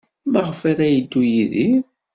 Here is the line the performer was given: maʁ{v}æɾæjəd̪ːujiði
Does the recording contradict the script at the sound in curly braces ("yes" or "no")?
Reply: yes